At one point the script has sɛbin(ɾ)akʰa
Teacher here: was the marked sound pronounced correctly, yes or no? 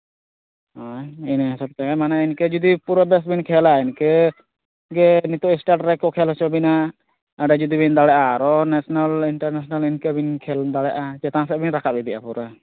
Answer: yes